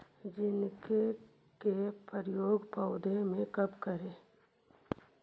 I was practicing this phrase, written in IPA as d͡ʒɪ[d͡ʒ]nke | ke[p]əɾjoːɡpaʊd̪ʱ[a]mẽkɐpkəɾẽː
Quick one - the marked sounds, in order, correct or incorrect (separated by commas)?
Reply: incorrect, correct, incorrect